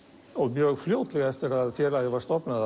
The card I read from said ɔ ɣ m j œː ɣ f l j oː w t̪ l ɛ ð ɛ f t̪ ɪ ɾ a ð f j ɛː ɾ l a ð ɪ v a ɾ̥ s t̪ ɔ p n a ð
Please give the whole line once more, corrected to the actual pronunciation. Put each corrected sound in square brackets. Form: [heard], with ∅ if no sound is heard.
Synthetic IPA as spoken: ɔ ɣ m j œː ɣ f l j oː w t̪ l ɛ [ɣ] ɛ f t̪ ɪ ɾ a ð f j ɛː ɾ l a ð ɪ v a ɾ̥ s t̪ ɔ p n a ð